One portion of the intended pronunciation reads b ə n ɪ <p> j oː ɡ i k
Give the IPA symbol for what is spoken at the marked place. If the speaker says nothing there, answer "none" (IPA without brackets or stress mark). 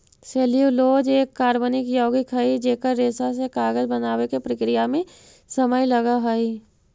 k